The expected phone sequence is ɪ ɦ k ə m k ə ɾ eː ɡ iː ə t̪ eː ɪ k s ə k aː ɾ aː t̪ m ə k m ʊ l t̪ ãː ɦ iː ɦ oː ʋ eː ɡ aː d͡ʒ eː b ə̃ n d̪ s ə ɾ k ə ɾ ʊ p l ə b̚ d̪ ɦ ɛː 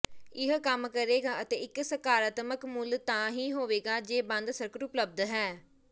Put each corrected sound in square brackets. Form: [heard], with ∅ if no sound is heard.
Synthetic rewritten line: ɪ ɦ k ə m k ə ɾ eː ɡ [aː] ə t̪ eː ɪ k s ə k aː ɾ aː t̪ m ə k m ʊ l t̪ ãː ɦ iː ɦ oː ʋ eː ɡ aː d͡ʒ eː b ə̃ n d̪ s ə ɾ k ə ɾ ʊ p l ə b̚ d̪ ɦ ɛː